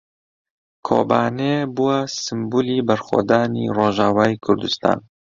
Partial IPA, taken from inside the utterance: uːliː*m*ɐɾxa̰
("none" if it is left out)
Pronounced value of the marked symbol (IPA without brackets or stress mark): b